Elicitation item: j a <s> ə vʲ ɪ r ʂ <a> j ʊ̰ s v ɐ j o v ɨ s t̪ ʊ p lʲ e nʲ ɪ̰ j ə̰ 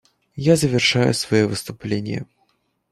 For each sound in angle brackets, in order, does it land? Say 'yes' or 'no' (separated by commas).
no, yes